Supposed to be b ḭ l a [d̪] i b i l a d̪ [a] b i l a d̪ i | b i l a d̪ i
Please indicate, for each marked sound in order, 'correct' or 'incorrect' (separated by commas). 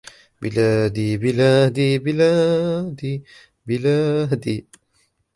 correct, incorrect